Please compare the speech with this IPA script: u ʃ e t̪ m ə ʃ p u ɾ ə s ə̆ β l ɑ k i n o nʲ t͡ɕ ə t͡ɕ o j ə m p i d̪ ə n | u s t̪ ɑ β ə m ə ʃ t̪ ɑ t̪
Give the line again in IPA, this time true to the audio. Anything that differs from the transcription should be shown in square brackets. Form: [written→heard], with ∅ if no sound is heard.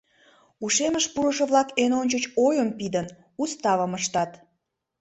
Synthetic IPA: u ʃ e [t̪→∅] m ə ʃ p u ɾ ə [s→ʃ] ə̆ β l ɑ k [i→e] n o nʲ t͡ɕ ə t͡ɕ o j ə m p i d̪ ə n | u s t̪ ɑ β ə m ə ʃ t̪ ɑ t̪